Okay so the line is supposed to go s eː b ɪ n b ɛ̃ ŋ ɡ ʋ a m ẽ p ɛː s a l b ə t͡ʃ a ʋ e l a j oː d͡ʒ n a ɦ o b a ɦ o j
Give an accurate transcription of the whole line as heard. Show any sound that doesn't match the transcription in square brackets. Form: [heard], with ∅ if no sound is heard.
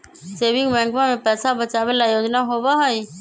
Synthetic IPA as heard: s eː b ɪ [ŋ] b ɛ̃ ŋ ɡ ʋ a m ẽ p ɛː s a [∅] b ə t͡ʃ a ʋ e l a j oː d͡ʒ n a ɦ o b a ɦ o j